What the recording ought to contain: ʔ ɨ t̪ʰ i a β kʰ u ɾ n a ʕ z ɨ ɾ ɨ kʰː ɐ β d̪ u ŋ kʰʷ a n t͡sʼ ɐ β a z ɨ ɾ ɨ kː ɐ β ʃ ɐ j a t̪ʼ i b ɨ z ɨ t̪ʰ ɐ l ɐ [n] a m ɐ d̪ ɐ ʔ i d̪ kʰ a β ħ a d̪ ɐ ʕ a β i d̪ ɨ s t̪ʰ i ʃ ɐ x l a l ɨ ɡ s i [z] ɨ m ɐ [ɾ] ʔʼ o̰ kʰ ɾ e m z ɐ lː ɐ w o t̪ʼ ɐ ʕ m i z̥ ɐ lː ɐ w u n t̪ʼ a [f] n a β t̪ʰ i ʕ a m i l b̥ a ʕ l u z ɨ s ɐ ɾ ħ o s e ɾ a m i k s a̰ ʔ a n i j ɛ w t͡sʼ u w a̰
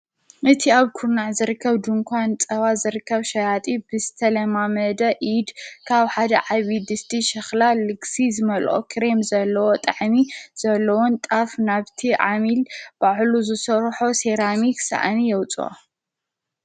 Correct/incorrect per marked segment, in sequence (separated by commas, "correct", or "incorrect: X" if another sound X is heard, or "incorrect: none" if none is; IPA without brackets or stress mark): incorrect: m, correct, incorrect: l, correct